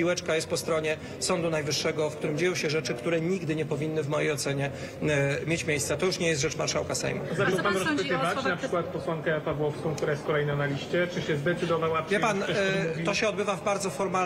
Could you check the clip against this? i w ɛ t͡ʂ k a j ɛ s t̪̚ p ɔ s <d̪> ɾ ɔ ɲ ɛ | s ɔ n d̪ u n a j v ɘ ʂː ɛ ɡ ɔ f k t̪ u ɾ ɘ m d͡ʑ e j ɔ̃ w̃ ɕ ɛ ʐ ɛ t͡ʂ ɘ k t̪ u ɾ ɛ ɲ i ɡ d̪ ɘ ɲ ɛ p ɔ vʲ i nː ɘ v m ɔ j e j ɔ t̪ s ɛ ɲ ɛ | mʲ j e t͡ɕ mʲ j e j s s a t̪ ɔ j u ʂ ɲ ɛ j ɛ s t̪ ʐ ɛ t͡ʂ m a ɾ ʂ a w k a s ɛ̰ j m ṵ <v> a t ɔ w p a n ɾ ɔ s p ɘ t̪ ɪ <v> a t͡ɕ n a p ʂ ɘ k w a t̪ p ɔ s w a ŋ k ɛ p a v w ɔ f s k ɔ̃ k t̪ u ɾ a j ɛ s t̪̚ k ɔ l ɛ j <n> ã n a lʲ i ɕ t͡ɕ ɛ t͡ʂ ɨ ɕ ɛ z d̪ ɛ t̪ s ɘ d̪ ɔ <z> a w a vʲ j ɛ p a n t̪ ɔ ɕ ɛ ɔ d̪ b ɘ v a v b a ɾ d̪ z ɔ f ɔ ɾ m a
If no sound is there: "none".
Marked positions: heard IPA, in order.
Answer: t̪, z, v, n, v

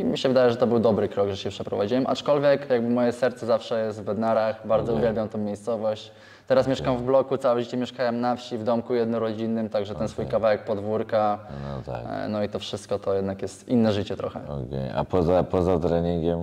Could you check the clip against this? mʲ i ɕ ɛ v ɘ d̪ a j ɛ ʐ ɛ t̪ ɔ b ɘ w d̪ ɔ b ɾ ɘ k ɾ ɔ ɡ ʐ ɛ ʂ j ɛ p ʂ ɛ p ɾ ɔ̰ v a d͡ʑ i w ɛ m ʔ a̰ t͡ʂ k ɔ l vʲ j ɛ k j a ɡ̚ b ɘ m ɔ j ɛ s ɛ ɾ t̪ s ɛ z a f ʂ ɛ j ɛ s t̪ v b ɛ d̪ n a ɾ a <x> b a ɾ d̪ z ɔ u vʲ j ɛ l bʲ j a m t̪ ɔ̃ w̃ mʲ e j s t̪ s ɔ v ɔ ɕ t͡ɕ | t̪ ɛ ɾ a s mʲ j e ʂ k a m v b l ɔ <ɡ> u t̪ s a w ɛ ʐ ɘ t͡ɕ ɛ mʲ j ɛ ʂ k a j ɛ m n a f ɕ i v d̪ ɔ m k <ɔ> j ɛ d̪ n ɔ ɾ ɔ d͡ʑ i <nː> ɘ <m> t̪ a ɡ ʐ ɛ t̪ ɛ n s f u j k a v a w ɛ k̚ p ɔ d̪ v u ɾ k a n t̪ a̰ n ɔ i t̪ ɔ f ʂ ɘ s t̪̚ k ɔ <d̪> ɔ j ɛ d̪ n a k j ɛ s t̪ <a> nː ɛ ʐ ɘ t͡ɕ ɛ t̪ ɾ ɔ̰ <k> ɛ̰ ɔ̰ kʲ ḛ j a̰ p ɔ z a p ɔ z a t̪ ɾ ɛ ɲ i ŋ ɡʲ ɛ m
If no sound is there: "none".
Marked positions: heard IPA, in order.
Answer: x, k, u, nː, m, t̪, i, x

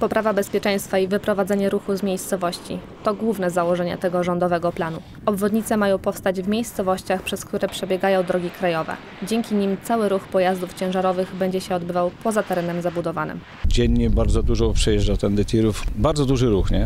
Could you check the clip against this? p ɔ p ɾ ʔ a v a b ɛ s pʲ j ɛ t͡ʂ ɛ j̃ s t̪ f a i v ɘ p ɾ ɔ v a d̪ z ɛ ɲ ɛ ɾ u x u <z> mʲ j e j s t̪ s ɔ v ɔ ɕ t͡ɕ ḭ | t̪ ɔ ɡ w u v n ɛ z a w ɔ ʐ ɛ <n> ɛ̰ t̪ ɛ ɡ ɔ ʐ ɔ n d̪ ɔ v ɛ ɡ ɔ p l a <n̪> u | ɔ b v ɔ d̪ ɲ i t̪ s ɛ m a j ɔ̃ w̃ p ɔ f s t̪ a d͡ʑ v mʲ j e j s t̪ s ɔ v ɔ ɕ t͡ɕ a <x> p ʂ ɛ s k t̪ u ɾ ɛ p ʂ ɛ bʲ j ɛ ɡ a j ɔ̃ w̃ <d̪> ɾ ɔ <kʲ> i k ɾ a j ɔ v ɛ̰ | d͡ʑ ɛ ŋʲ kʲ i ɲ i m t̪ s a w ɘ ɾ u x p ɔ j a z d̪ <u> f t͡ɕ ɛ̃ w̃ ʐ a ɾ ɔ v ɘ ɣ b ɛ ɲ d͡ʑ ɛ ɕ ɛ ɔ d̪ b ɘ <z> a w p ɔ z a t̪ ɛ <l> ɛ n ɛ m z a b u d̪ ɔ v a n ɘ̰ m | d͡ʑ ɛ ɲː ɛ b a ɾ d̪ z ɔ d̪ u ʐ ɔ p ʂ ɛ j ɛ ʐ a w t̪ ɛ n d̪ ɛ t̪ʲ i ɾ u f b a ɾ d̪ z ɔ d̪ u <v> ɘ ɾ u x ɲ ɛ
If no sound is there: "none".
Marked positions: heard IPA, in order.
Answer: z, ɲ, n̪, x, d̪, ɡʲ, u, v, ɾ, ʐ

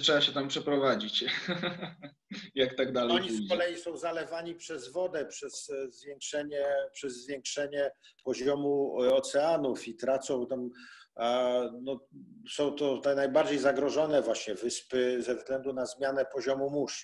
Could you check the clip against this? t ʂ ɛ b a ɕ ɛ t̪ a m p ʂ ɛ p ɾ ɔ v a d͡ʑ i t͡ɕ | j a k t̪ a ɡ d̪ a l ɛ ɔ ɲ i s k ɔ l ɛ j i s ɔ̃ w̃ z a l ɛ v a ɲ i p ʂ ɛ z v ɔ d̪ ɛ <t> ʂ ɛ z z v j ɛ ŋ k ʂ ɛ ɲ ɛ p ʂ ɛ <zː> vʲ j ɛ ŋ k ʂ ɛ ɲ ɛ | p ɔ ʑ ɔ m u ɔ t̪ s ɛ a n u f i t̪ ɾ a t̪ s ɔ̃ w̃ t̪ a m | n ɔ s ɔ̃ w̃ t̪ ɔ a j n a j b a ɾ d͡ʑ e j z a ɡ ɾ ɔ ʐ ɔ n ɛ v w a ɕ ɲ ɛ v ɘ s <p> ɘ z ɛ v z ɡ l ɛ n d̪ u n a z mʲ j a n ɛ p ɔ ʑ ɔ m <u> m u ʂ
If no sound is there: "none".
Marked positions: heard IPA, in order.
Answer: p, zː, p, u

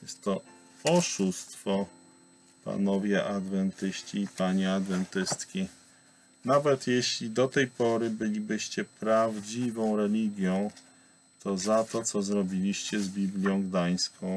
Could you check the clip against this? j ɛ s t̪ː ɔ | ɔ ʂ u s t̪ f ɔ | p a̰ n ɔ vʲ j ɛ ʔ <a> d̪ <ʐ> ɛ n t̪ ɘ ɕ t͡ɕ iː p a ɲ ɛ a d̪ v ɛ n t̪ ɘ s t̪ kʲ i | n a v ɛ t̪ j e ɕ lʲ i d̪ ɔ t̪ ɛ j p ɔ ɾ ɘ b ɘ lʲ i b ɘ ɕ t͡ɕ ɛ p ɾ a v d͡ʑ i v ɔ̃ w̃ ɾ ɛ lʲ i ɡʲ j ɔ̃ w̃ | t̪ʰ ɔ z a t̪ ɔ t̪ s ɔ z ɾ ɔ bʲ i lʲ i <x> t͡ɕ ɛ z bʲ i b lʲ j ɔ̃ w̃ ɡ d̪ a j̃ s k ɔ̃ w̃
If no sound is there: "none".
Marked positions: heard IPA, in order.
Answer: a, v, ɕ

